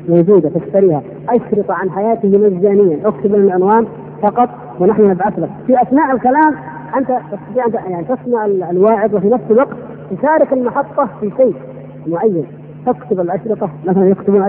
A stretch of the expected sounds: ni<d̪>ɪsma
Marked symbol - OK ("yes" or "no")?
no